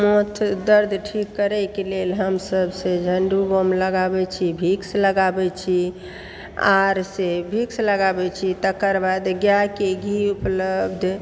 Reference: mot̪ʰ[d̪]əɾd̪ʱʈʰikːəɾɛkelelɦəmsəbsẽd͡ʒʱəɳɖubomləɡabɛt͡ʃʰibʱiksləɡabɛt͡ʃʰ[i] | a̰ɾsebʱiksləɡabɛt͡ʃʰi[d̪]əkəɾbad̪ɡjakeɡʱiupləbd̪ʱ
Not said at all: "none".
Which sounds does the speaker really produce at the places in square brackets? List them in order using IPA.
d̪, i, t̪

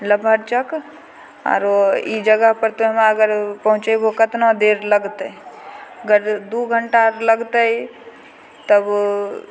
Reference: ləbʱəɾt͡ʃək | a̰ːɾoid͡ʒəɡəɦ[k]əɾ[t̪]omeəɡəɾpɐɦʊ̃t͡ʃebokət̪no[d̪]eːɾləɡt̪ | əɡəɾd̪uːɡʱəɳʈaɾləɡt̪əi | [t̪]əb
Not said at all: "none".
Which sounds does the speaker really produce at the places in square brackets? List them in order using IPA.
p, t̪, d̪, t̪

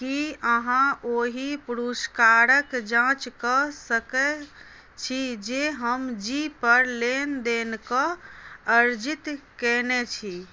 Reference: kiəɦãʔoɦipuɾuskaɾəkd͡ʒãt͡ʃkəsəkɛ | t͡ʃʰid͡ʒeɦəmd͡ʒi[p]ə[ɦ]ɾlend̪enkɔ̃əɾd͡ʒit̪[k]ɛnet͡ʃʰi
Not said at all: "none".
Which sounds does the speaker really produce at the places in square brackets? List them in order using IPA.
p, none, k

